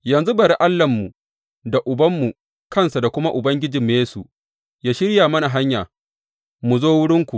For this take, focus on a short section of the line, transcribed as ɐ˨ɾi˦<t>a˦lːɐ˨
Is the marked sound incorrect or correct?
incorrect: ʔ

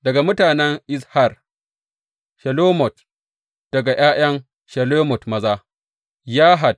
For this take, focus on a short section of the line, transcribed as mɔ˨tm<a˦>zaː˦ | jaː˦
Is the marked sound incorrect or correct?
incorrect: ɐ˦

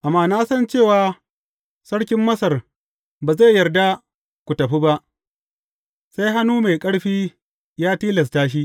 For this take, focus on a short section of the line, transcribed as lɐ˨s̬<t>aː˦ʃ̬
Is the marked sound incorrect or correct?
correct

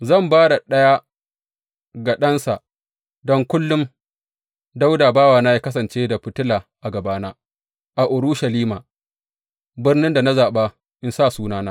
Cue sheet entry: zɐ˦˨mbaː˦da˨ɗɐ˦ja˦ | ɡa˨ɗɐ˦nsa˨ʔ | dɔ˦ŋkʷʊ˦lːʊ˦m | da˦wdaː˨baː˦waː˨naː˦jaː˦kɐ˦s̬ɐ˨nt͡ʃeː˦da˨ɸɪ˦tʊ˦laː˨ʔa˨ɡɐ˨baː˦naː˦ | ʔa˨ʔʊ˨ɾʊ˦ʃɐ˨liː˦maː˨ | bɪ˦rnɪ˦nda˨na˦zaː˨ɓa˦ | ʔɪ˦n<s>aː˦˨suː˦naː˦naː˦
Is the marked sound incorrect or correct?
correct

